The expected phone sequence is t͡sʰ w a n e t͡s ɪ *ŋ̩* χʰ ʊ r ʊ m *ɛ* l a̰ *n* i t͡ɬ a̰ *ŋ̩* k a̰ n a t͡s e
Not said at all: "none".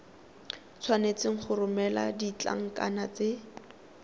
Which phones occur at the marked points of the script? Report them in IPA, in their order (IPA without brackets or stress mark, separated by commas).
ŋ̩, ɛ, d, ŋ̩